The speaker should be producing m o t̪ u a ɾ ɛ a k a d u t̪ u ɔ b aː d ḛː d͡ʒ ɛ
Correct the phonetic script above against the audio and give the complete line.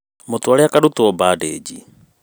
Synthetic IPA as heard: m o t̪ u a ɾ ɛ a k a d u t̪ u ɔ b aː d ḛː d͡ʒ i